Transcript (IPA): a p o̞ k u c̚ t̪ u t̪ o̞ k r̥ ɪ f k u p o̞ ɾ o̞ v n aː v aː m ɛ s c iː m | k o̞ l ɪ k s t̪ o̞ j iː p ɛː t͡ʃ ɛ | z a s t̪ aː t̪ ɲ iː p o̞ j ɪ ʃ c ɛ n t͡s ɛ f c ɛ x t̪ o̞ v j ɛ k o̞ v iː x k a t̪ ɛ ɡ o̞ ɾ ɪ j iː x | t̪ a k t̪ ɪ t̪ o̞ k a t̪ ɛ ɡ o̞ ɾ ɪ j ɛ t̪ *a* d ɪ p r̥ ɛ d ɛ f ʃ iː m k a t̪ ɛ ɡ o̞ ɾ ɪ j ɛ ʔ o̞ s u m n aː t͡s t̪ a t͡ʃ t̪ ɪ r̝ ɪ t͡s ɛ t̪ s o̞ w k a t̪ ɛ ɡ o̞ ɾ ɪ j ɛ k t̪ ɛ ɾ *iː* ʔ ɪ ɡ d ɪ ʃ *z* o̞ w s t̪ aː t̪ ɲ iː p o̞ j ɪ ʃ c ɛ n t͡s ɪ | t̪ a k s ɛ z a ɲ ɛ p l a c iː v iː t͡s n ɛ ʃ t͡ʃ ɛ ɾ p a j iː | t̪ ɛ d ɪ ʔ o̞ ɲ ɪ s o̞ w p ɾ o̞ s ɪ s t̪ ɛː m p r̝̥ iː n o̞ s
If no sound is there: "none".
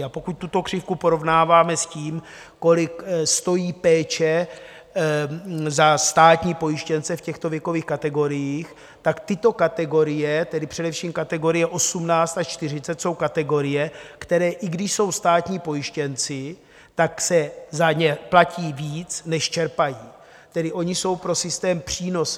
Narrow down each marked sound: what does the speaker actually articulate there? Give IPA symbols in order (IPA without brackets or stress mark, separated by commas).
ɛ, ɛː, s